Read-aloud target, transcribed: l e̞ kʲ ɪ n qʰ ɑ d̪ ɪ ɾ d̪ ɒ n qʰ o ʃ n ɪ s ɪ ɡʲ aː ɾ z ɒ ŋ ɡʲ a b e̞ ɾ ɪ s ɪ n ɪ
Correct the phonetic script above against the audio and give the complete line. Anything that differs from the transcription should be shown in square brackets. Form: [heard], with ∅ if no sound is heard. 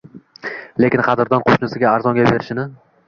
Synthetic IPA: l e̞ kʲ ɪ n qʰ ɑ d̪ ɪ ɾ d̪ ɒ n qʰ o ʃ n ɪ s ɪ ɡʲ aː ɾ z ɒ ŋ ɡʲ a b e̞ ɾ ɪ [ʃ] ɪ n ɪ